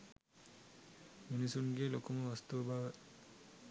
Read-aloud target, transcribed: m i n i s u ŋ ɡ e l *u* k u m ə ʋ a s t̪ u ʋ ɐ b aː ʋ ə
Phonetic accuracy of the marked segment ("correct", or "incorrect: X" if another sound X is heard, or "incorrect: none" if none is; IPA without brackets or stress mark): incorrect: o